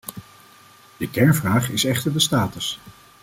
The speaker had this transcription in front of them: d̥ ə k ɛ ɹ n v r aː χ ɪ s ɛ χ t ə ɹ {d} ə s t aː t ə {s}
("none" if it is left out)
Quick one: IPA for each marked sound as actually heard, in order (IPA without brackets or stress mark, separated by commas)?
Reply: d, s